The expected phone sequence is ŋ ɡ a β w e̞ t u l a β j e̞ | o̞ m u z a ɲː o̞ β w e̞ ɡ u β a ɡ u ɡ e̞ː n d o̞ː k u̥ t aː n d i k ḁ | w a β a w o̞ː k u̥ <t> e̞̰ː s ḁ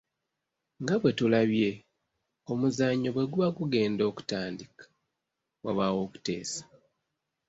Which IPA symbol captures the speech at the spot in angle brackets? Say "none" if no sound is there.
t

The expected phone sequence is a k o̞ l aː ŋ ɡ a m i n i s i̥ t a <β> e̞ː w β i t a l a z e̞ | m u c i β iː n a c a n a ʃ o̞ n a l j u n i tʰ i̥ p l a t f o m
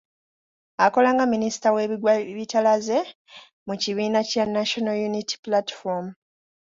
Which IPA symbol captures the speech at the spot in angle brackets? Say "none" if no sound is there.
w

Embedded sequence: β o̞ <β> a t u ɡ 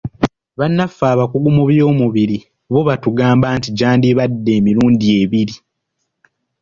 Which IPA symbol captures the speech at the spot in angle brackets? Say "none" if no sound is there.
β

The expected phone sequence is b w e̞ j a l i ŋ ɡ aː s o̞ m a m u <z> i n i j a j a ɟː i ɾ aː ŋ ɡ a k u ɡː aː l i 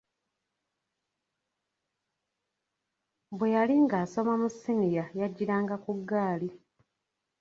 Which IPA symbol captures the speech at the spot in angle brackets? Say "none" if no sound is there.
s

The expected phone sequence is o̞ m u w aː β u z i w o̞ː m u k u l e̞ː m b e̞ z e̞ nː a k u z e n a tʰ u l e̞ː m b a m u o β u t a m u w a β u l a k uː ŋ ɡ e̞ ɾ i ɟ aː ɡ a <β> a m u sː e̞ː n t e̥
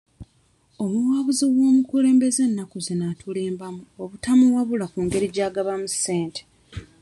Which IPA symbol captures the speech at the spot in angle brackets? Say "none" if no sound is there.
β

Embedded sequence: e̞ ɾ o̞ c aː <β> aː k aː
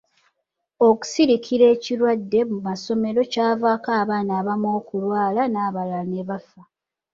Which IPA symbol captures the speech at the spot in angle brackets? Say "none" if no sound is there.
v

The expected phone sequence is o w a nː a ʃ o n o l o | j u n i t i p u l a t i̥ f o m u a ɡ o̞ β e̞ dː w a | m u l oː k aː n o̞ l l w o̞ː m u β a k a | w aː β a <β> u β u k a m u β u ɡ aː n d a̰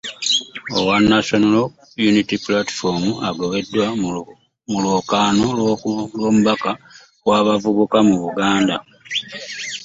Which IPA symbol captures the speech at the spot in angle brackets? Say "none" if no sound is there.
v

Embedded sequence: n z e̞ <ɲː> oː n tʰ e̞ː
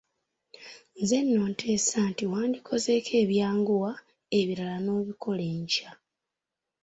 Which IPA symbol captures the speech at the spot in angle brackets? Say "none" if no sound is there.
nː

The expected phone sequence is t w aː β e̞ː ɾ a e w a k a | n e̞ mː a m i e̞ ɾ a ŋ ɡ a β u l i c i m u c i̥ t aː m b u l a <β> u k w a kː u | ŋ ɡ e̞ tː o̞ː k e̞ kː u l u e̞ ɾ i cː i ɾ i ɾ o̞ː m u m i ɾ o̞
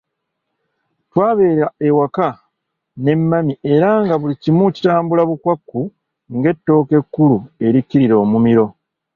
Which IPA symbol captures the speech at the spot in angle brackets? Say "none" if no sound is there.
β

